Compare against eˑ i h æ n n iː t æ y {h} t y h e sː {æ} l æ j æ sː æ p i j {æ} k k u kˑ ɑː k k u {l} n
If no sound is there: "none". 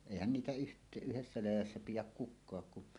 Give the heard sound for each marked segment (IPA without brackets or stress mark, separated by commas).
h, æ, æ, none